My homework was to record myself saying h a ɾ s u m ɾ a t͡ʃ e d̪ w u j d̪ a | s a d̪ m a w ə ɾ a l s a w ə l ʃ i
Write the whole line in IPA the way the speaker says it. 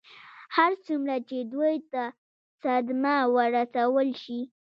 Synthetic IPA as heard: h a ɾ t͡s u m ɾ a t͡ʃ e d̪ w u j t̪ a | s a d̪ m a w ə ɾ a s a w ə l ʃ i